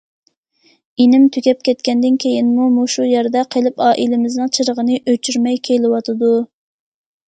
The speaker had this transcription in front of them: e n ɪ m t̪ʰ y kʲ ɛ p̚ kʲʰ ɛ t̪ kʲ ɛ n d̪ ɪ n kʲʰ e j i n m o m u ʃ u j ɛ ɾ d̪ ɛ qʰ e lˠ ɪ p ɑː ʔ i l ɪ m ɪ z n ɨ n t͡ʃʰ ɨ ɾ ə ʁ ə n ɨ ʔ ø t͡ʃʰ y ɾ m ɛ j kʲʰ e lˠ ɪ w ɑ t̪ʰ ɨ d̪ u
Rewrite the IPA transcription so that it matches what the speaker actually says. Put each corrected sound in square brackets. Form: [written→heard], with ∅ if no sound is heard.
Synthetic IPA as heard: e n ɪ m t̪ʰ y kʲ ɛ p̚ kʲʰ ɛ t̪ kʲ ɛ n d̪ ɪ n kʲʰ e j i n m [o→u] m u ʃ u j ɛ ɾ d̪ ɛ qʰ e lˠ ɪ p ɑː ʔ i l ɪ m ɪ z n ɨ [n→ŋ] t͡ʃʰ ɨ ɾ ə ʁ ə n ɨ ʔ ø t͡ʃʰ y ɾ m ɛ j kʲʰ e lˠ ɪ w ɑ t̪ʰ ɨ d̪ u